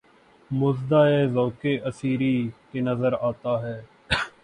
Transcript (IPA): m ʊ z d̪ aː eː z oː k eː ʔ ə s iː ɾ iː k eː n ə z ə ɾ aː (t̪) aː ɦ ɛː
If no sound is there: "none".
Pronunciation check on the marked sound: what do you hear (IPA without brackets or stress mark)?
t̪